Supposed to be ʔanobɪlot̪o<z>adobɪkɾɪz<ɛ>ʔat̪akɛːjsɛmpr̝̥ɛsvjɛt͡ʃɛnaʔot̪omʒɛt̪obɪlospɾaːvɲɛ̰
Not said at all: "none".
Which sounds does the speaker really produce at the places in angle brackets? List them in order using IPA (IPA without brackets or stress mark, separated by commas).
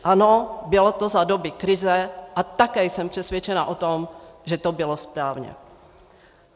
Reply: z, ɛ